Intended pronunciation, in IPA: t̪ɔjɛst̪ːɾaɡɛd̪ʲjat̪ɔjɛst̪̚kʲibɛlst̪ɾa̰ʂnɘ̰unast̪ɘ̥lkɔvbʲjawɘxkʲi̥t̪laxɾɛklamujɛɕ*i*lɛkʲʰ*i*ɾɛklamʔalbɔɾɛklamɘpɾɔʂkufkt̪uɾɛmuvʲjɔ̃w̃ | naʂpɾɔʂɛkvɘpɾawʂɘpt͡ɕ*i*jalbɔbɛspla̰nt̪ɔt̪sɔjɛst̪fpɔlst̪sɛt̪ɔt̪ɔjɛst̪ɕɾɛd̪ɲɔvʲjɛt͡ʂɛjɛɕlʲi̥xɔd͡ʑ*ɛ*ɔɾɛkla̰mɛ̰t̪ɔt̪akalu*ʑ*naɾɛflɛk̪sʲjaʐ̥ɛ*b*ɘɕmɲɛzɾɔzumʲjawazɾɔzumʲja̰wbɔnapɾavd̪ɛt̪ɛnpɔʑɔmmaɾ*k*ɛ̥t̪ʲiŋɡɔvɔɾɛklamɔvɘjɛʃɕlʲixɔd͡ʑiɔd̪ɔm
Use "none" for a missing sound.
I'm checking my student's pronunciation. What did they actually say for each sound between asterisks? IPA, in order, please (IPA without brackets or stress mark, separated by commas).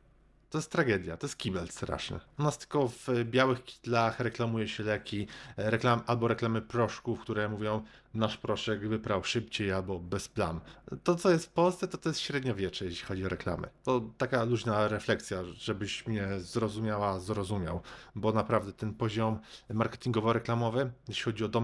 ɛ, i, e, i, ʑ, b, k